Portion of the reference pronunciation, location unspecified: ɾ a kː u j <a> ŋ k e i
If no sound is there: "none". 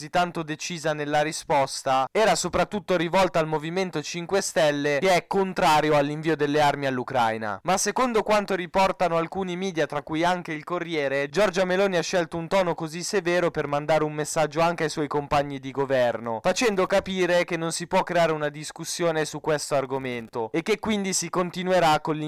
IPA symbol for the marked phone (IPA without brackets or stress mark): a